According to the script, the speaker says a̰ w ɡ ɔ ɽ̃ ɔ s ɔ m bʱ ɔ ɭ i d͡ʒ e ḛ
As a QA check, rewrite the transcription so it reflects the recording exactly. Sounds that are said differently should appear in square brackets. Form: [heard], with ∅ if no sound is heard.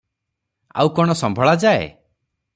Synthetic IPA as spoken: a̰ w [k] ɔ ɽ̃ ɔ s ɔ m bʱ ɔ ɭ [a] d͡ʒ [a] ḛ